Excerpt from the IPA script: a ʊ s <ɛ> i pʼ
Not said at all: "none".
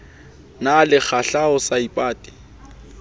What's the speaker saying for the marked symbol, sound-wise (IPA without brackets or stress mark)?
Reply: a